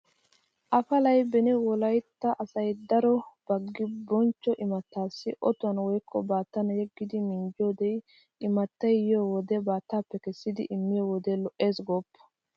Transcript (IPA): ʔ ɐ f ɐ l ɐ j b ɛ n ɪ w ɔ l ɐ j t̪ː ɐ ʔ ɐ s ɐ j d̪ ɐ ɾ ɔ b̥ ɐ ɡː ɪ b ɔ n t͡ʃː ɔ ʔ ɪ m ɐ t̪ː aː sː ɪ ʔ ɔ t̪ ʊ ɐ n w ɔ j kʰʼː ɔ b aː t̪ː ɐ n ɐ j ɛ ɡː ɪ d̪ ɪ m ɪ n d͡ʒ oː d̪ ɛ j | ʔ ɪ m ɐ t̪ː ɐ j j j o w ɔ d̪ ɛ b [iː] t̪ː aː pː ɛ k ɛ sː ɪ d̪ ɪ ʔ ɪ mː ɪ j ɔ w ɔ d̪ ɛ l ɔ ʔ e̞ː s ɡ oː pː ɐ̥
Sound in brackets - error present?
yes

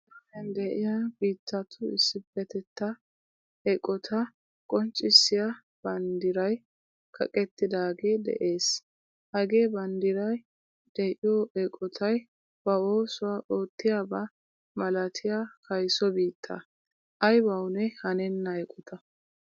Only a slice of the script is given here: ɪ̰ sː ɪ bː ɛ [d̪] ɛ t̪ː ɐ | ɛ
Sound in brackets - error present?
yes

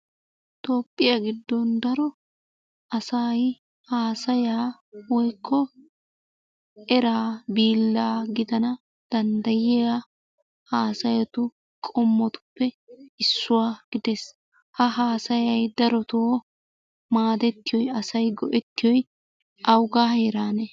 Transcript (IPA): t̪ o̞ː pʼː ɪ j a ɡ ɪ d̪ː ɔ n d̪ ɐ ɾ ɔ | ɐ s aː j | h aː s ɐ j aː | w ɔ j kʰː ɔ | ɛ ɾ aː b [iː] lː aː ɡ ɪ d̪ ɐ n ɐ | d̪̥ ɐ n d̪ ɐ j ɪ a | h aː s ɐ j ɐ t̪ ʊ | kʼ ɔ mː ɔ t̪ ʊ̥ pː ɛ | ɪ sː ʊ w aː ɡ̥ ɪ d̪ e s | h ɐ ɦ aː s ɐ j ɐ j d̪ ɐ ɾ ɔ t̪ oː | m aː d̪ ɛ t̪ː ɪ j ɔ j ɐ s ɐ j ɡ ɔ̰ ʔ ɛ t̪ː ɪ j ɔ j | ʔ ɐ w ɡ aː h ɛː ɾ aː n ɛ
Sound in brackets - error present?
no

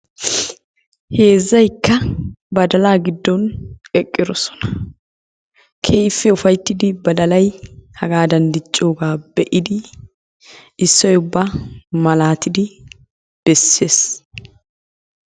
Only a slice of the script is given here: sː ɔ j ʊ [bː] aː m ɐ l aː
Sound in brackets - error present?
no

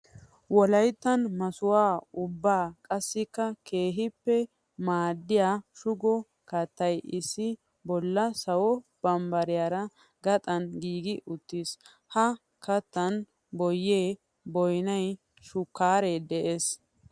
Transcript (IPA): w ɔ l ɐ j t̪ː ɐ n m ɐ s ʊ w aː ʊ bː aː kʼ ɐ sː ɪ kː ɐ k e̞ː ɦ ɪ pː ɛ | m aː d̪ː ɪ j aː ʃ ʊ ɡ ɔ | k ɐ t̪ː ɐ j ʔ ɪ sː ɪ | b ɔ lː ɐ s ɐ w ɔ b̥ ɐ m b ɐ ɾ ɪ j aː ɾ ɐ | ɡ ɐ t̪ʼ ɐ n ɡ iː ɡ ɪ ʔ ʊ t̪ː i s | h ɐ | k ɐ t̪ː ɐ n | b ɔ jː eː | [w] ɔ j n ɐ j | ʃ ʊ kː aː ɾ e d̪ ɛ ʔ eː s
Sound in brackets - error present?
yes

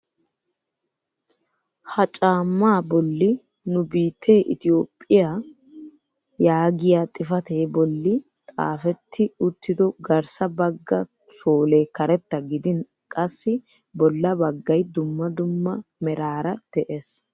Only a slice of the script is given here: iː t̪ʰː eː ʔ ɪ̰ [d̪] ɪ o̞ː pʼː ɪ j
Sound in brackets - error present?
yes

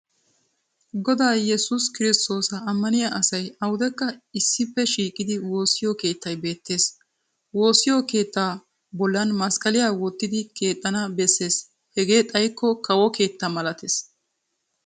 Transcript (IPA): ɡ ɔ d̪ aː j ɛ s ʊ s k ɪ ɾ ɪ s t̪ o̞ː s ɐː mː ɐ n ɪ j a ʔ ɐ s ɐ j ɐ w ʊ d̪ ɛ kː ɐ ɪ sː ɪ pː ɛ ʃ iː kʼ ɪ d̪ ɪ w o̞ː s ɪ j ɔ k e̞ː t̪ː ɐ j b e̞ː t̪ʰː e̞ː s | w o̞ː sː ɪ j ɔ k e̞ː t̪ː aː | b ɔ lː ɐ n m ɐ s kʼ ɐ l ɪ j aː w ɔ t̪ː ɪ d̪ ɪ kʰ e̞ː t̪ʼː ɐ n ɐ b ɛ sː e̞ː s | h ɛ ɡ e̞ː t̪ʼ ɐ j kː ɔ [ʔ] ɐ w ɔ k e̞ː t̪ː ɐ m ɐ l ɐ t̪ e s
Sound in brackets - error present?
yes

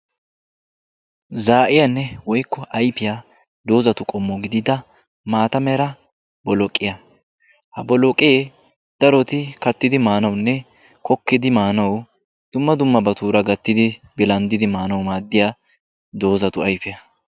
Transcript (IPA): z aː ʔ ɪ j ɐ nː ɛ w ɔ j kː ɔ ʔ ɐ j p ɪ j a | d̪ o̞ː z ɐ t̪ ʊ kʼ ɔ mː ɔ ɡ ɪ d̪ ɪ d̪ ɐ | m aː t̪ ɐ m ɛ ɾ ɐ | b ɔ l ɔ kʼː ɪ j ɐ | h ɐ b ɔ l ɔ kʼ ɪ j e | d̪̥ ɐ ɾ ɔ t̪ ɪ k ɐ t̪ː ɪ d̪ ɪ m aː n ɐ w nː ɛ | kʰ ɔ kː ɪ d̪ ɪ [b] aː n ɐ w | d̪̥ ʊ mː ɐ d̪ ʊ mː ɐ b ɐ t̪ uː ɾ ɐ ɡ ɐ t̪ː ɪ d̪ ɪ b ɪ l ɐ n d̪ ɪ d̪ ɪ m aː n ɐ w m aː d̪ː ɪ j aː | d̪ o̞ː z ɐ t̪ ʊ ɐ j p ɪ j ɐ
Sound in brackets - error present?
yes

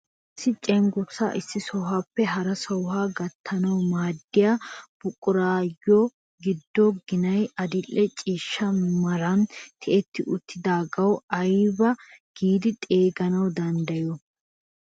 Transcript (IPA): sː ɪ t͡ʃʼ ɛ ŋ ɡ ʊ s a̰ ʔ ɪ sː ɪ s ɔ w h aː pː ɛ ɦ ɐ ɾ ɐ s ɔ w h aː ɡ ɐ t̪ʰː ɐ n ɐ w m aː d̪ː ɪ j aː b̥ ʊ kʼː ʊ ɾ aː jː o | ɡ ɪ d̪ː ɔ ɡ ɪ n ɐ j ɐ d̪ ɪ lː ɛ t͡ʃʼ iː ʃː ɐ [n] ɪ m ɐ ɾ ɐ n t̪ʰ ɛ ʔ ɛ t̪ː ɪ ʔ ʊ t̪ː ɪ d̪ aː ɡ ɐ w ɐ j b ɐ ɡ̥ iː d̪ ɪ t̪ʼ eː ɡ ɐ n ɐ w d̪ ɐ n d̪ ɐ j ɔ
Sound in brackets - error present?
yes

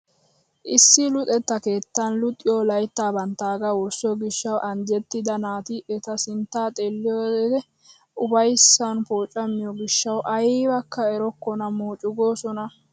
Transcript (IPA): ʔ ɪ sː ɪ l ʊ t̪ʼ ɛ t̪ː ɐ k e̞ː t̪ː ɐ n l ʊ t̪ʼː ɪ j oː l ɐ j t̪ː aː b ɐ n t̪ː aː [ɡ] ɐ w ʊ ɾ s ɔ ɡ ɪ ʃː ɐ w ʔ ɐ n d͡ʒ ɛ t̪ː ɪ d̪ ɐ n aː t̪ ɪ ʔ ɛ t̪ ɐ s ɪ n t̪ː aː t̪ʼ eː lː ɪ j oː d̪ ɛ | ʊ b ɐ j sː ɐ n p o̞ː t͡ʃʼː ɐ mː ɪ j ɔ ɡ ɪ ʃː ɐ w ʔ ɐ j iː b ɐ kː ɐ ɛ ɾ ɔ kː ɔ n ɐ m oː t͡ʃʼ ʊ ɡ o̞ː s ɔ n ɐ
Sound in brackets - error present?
no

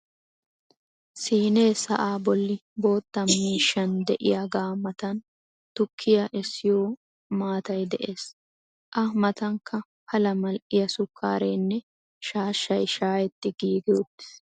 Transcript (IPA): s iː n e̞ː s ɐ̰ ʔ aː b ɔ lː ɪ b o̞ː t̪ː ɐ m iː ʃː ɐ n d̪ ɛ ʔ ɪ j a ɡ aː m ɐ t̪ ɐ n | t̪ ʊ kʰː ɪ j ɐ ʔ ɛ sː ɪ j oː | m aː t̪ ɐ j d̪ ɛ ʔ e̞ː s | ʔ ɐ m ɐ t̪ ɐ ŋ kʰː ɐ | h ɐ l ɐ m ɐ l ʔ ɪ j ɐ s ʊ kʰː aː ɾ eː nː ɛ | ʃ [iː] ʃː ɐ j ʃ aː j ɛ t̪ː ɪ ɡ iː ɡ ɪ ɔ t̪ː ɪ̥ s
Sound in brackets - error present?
yes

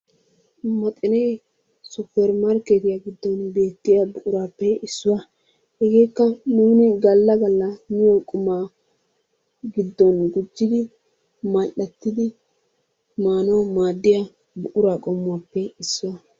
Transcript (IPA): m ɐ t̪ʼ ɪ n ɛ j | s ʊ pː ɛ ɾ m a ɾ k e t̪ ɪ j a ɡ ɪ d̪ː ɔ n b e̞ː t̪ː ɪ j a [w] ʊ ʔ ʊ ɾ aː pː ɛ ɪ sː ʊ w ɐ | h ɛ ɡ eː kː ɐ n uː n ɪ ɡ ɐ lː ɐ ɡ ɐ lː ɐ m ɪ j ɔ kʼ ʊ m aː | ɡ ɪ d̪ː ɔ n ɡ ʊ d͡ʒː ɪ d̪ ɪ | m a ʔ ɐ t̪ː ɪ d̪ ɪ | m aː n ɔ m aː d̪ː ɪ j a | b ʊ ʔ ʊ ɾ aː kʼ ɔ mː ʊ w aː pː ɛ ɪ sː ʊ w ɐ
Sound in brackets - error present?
yes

